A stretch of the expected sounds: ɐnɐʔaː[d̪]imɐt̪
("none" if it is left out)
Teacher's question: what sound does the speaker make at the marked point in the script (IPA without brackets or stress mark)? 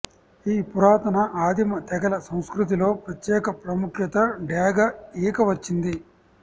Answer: d̪